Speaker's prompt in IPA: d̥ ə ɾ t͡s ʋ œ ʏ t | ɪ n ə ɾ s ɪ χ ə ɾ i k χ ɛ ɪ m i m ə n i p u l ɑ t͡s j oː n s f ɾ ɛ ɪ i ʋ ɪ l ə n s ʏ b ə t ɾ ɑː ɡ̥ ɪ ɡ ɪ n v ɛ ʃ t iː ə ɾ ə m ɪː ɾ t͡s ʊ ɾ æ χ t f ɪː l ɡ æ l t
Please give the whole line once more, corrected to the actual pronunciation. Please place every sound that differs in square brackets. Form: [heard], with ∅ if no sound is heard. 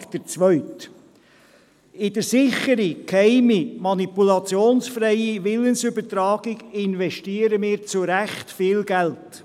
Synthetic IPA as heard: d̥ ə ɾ t͡s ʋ œ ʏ t | ɪ [d] ə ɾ s ɪ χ ə ɾ i k [h] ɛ ɪ m i m [ɑ] n i p u l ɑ t͡s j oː n s f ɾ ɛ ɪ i ʋ ɪ l ə n s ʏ b ə t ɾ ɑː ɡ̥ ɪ ɡ ɪ n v ɛ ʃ t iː ə ɾ ə m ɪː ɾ t͡s ʊ ɾ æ χ t f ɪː l ɡ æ l t